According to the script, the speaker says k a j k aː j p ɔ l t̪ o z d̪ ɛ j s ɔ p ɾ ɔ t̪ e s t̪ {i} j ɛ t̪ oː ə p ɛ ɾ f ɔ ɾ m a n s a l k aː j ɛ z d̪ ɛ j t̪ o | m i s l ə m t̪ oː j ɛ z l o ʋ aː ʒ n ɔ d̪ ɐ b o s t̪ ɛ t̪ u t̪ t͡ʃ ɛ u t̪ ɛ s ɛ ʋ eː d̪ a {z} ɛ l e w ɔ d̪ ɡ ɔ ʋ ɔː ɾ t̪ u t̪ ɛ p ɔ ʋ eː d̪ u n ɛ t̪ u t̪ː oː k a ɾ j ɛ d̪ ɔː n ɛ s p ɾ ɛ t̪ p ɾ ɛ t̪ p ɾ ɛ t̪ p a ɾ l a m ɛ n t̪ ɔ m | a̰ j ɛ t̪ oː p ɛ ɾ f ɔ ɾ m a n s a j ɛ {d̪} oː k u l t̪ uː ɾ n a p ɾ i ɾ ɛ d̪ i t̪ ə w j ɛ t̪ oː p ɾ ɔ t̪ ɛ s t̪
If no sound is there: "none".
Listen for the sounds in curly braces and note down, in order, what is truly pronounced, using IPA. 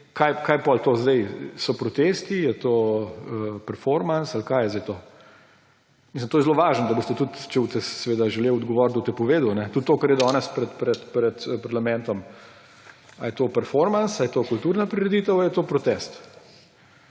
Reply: i, ʒ, t̪

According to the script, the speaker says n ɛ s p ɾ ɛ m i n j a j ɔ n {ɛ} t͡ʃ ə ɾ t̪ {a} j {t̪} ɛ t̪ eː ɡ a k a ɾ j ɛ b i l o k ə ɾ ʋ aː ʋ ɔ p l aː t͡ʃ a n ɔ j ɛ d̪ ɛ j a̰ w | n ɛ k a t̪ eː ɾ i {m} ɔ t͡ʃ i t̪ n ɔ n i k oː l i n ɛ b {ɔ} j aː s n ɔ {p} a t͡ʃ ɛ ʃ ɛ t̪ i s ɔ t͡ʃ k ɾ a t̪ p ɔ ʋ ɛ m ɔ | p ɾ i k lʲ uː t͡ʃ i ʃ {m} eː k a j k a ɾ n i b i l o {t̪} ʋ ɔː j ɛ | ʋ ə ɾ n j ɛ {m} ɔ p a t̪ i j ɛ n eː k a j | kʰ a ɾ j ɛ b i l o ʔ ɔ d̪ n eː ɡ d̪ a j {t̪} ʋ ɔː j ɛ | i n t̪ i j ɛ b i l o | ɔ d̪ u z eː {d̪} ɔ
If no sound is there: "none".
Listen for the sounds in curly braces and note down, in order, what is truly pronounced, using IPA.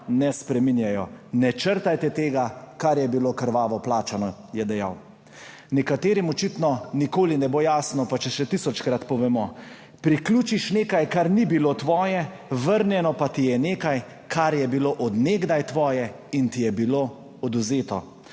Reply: ɛ, a, t̪, m, o, p, n, t̪, n, t̪, t̪

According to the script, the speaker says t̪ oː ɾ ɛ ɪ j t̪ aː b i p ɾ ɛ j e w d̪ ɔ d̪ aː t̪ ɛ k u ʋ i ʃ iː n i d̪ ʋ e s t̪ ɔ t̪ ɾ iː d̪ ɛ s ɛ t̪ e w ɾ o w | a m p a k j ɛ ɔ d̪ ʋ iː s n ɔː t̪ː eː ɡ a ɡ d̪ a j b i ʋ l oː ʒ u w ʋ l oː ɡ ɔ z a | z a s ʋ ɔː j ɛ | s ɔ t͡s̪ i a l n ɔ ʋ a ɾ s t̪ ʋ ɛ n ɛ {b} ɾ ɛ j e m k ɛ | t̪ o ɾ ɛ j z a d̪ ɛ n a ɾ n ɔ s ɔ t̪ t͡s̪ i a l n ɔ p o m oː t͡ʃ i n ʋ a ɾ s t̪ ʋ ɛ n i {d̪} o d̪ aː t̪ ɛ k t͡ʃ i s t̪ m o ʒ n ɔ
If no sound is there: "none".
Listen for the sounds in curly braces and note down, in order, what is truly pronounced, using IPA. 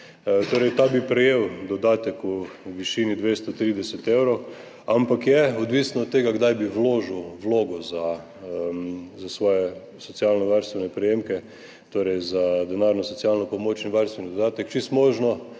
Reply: p, d̪

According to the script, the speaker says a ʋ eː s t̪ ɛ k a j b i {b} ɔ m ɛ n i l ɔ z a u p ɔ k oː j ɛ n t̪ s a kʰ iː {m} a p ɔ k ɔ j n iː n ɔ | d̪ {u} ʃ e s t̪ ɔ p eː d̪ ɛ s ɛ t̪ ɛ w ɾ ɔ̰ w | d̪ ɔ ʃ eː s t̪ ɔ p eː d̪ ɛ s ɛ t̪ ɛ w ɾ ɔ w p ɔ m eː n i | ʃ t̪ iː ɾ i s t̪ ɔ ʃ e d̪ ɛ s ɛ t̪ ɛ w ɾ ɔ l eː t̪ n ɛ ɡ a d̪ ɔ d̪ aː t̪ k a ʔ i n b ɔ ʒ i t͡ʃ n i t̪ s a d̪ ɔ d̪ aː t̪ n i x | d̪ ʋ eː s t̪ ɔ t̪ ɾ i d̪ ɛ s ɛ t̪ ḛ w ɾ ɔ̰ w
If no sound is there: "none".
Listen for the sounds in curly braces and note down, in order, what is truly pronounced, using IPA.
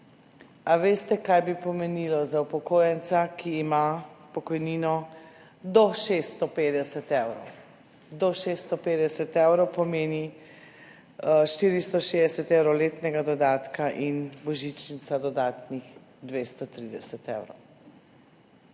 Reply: p, m, ɔ

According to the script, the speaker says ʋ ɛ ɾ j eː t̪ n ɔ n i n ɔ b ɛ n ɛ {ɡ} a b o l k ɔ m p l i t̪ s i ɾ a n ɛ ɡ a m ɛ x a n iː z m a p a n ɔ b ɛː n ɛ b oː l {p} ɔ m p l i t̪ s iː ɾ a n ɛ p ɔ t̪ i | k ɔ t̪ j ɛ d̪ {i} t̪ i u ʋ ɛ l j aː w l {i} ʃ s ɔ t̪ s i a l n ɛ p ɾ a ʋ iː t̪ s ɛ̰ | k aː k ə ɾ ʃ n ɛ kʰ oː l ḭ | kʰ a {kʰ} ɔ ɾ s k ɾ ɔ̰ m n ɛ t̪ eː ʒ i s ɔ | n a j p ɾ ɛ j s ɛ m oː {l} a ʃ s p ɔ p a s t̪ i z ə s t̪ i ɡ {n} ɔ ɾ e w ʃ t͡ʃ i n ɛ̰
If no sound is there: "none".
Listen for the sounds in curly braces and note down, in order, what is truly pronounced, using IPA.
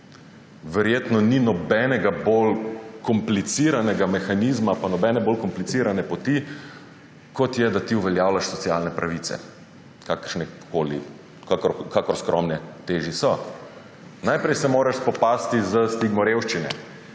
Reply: ɡ, k, a, a, k, ɾ, m

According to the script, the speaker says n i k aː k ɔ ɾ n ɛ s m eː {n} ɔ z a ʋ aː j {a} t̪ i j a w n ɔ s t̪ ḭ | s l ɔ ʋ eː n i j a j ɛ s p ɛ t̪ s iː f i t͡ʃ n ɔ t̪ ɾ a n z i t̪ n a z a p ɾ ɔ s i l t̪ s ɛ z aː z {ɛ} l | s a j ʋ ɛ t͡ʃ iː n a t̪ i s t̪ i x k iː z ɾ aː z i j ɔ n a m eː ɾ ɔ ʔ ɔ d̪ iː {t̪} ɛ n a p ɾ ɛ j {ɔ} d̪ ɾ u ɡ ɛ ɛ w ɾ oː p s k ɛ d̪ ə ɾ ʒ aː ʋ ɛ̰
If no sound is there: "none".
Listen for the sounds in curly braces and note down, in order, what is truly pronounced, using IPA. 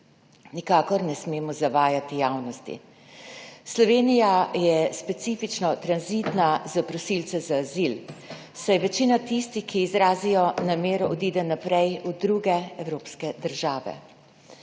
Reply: m, a, i, d̪, u

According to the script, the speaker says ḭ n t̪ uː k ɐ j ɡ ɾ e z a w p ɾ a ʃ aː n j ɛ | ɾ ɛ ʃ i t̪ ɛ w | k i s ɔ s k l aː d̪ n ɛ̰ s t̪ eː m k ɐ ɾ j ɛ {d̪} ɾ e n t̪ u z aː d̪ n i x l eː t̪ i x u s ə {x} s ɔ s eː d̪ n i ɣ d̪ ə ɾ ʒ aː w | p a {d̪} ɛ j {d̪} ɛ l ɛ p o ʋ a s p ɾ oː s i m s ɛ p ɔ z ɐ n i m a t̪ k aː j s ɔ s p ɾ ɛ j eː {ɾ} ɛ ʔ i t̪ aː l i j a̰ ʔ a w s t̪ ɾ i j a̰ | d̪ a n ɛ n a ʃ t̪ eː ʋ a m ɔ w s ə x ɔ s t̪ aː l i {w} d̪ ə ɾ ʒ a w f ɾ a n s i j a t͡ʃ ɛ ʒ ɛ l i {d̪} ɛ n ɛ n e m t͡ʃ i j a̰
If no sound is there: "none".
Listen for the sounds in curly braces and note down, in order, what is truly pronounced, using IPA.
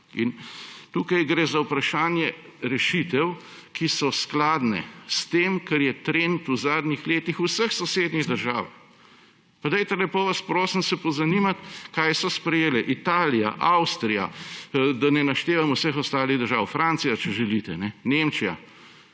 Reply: t̪, x, d̪, t̪, l, ɣ, t̪

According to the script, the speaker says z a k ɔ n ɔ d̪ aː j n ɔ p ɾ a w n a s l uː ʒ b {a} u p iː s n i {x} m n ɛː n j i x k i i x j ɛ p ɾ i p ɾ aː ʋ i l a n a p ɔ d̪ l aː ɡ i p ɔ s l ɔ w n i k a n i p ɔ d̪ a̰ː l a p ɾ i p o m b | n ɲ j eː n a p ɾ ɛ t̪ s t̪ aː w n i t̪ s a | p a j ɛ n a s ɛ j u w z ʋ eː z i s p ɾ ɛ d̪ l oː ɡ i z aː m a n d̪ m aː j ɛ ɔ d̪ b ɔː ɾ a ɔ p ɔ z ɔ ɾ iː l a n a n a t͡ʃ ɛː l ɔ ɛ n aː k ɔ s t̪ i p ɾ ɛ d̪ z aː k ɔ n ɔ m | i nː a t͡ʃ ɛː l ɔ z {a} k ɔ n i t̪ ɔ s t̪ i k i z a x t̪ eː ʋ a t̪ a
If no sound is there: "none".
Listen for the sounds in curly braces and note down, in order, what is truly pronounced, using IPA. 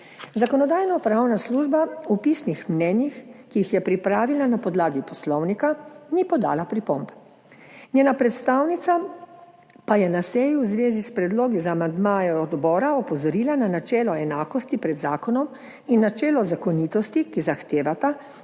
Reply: a, x, a

